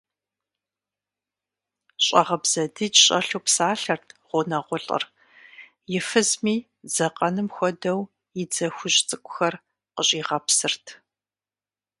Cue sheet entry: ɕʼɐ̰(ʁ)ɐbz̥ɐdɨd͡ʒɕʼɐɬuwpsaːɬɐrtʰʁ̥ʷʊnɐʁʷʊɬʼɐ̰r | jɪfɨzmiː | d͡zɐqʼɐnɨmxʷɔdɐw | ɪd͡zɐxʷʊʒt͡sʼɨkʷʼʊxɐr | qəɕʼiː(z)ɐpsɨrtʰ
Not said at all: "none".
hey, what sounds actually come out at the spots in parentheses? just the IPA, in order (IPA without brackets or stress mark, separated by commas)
ʁ, ʁ